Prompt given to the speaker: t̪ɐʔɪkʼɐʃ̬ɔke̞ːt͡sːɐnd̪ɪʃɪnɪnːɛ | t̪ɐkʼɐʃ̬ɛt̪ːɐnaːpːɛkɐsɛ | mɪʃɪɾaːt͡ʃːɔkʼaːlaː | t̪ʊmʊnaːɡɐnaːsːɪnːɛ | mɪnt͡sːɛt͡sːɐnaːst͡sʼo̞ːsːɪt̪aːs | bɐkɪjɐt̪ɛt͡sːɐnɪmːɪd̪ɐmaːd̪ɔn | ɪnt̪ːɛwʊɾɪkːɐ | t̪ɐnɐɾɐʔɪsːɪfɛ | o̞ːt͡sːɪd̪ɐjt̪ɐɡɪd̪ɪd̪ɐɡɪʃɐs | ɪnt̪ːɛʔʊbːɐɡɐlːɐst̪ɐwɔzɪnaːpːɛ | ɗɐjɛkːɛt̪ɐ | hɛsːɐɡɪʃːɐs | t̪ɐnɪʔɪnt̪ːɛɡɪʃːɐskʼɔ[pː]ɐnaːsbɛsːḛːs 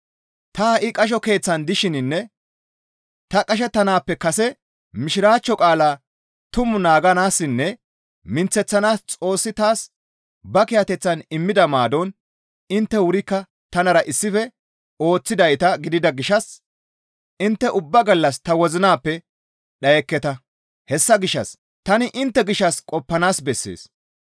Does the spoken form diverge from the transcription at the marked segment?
no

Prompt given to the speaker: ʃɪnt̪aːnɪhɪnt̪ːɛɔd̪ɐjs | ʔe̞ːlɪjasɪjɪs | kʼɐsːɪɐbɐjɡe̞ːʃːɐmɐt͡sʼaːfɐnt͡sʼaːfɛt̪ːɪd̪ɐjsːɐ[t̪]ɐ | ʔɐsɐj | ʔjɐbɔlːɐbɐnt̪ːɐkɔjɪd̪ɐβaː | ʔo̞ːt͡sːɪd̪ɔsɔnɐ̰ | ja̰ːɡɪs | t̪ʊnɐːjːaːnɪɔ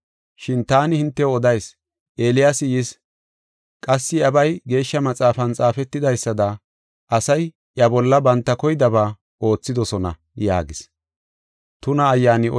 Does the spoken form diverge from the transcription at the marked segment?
yes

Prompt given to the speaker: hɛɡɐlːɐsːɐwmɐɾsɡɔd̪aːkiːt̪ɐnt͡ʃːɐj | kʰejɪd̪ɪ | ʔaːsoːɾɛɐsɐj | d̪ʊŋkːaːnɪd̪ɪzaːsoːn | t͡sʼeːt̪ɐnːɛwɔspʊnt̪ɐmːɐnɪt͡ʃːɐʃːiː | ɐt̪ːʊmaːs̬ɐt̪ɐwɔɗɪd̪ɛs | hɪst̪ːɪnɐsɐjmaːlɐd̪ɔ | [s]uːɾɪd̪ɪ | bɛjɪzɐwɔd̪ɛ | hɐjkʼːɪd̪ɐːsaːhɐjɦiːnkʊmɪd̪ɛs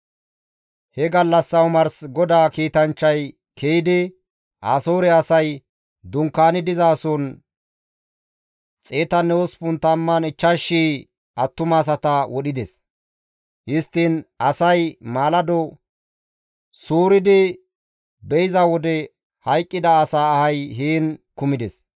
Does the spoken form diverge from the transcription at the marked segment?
no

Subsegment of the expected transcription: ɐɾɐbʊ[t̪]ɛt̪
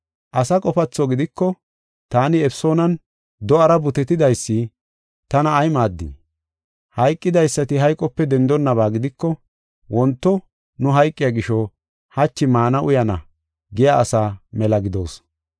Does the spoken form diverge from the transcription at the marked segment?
no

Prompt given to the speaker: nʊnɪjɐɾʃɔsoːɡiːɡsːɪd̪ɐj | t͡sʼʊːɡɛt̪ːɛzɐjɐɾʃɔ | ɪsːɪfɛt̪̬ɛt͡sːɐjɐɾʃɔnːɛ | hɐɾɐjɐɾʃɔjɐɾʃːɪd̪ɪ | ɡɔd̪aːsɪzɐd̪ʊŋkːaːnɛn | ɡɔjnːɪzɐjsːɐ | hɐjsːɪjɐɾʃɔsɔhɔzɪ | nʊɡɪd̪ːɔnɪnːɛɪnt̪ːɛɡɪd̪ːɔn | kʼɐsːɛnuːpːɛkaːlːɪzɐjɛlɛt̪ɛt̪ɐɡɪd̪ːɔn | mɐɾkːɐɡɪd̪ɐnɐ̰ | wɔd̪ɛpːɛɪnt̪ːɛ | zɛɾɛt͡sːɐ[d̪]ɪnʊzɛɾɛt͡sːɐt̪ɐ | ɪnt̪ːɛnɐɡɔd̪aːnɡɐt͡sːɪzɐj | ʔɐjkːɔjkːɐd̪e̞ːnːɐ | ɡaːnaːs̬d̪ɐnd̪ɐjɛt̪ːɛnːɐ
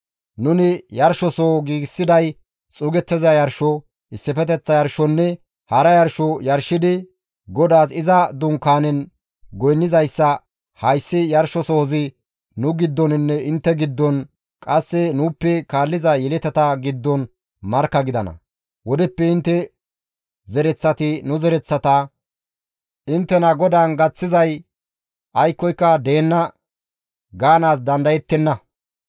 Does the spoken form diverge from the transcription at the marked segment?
yes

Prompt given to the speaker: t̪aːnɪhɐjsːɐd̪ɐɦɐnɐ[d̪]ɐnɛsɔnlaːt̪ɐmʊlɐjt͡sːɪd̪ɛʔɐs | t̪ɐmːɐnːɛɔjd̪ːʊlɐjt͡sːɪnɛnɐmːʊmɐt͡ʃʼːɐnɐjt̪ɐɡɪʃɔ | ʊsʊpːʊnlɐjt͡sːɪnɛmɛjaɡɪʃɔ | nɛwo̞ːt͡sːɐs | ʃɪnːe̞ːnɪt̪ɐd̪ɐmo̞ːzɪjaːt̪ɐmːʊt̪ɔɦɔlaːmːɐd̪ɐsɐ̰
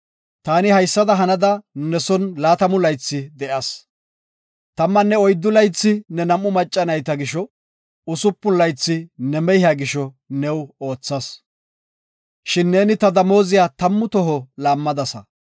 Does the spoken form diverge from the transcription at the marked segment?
no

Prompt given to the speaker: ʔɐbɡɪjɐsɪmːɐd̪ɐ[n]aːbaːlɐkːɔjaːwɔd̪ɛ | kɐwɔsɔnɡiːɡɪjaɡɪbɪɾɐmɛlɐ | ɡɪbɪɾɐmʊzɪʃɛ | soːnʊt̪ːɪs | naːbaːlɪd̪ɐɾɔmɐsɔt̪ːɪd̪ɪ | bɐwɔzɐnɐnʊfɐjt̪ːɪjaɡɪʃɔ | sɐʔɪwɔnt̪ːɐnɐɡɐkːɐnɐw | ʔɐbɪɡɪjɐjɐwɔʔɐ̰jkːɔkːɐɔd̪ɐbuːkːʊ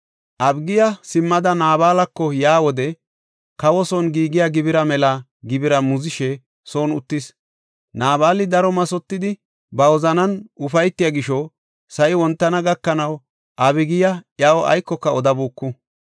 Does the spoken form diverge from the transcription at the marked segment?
no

